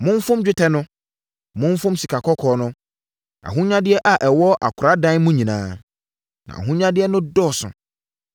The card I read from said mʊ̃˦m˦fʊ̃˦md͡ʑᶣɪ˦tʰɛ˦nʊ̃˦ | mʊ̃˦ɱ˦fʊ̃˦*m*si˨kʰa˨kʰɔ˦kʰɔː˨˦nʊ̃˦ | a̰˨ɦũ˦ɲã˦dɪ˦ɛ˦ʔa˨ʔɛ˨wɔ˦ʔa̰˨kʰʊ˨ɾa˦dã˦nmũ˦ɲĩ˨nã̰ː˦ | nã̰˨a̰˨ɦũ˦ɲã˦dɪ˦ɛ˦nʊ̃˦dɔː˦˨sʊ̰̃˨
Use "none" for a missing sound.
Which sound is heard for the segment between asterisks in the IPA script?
m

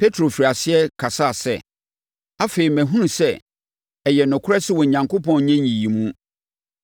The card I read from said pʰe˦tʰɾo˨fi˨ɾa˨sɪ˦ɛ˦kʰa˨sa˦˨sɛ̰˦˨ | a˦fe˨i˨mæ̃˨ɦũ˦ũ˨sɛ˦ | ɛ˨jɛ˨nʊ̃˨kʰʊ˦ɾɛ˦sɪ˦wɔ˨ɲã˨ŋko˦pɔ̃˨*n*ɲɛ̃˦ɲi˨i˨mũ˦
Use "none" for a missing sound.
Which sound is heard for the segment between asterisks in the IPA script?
n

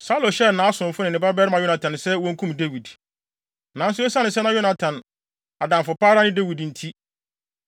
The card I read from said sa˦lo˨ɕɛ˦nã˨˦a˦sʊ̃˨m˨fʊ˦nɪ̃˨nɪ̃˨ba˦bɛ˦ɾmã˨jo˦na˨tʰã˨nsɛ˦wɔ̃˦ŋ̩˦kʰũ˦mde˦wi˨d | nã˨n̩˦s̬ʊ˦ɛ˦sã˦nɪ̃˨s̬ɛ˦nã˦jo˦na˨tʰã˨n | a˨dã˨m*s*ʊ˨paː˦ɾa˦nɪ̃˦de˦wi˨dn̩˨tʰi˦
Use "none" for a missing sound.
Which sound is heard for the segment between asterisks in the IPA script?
f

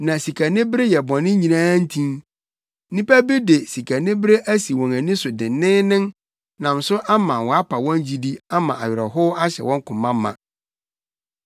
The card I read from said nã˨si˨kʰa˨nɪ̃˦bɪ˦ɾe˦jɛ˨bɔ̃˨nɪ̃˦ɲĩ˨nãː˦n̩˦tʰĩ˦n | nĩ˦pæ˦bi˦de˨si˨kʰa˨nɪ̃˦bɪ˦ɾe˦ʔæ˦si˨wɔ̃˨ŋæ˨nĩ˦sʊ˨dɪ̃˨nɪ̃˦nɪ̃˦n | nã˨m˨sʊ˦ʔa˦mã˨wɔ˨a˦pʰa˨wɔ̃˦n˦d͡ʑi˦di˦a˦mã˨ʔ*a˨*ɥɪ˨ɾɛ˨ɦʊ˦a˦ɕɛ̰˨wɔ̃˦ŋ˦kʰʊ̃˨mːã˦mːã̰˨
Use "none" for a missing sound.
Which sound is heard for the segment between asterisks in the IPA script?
a˨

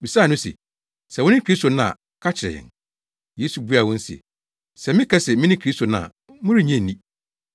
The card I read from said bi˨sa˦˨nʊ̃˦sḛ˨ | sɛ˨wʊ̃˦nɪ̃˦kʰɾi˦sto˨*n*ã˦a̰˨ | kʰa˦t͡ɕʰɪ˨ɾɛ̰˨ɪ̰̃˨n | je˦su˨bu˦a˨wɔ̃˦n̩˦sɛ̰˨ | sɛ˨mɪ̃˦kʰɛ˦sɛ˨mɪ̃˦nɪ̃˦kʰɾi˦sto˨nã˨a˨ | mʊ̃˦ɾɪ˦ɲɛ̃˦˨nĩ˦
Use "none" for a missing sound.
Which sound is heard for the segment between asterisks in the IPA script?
n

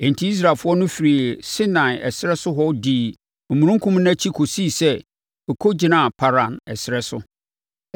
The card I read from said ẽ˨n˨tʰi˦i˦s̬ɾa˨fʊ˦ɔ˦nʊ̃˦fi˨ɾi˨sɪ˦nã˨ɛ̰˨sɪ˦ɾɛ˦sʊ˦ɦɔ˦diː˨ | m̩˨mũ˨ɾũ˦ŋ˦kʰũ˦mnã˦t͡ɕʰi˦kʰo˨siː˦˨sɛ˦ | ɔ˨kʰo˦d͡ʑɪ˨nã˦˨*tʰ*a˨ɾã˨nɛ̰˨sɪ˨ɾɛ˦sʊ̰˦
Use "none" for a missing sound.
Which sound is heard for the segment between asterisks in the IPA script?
pʰ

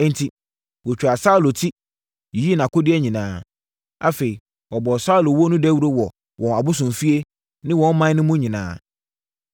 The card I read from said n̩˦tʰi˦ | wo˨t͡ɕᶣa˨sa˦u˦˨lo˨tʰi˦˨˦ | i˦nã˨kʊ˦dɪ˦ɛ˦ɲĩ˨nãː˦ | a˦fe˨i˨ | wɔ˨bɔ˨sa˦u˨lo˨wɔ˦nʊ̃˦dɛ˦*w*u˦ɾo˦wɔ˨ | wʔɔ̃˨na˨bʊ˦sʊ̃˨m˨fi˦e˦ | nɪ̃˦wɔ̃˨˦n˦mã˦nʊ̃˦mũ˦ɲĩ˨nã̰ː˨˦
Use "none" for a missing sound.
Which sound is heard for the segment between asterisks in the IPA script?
w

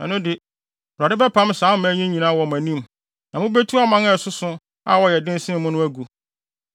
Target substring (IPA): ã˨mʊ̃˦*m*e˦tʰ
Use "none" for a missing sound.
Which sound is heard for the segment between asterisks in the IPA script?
b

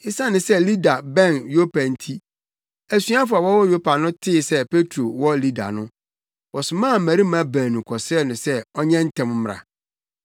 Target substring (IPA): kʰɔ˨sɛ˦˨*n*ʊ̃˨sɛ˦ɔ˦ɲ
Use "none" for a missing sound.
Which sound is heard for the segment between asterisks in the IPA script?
n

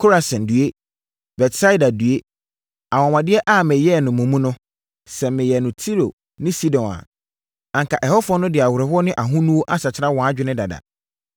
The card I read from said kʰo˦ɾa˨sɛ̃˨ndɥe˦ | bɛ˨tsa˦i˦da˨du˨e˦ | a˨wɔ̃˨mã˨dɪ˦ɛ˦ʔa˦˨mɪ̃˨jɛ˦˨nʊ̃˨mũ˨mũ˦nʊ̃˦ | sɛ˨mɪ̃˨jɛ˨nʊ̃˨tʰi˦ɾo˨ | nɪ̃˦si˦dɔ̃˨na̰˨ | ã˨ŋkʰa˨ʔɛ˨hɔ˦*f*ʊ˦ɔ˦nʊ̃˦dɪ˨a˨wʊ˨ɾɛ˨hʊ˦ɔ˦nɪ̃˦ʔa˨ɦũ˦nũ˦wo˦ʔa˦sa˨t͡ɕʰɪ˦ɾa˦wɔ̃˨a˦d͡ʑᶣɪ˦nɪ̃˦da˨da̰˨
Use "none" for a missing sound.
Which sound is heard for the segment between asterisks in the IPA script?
f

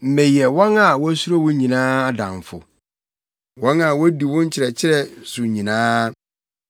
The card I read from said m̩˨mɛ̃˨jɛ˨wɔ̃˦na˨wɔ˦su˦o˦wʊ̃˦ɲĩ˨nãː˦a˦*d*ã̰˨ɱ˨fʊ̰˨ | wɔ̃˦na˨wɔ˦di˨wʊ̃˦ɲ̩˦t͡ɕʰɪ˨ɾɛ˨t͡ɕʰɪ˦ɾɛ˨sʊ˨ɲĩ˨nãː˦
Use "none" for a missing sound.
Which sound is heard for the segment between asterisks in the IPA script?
d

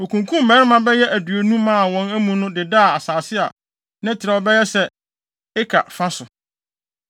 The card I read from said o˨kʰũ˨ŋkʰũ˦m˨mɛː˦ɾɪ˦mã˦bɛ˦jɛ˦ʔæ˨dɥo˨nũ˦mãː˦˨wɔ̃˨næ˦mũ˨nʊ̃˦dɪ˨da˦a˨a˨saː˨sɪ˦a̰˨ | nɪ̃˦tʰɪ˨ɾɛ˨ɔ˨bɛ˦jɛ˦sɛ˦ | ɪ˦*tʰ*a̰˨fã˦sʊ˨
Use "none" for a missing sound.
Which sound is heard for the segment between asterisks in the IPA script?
kʰ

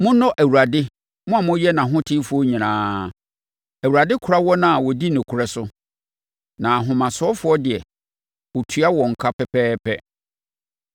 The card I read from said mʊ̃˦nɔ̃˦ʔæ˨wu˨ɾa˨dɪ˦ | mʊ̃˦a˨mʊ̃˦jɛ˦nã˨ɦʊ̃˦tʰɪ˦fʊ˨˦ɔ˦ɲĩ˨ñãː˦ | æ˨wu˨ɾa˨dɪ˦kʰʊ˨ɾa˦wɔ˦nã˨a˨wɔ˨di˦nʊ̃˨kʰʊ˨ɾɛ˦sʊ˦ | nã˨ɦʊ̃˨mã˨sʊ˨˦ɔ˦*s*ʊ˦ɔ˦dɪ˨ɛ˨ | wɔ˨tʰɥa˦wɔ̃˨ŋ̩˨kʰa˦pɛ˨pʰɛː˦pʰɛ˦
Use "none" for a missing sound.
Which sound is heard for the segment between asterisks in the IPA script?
f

